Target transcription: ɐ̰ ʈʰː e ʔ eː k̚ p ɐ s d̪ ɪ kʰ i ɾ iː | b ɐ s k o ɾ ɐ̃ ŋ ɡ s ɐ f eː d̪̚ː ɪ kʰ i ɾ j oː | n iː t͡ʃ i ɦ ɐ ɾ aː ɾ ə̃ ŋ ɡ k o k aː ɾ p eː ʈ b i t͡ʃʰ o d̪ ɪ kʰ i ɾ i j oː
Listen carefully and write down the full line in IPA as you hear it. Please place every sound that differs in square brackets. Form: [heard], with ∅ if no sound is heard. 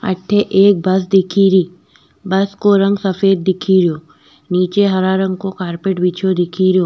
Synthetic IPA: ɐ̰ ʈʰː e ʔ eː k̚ [b] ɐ s d̪ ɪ kʰ i ɾ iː | b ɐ s k o ɾ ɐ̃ ŋ ɡ s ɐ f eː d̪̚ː ɪ kʰ i ɾ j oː | n iː t͡ʃ [e] ɦ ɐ ɾ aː ɾ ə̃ ŋ ɡ k o k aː ɾ p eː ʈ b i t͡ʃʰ o d̪ ɪ kʰ i ɾ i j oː